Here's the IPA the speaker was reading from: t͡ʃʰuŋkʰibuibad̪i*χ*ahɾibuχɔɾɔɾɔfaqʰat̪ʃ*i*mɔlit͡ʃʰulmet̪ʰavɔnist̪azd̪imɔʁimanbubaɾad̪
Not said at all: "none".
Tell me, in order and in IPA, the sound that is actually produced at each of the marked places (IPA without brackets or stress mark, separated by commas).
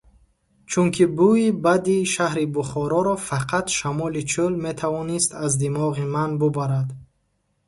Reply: ʃ, a